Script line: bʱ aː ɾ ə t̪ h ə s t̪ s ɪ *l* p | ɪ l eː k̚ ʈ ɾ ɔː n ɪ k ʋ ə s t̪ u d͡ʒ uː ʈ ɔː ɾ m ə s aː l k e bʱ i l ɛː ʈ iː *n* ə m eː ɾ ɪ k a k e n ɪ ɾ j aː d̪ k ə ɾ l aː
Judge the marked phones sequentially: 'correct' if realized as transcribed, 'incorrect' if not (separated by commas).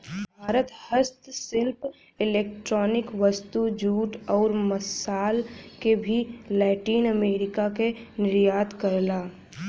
correct, correct